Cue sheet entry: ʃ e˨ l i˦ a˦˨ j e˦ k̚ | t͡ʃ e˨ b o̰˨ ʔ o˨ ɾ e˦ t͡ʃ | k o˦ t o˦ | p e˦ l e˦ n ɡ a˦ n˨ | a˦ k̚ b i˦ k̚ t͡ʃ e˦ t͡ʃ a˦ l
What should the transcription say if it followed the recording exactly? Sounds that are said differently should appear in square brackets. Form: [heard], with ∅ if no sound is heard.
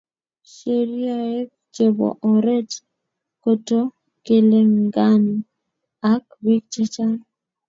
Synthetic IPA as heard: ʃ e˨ [ɾ] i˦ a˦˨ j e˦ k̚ | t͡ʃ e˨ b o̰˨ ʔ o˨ ɾ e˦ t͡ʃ | k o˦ t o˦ | [k] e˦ l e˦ [ŋ] ɡ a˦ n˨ | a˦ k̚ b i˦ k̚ t͡ʃ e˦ t͡ʃ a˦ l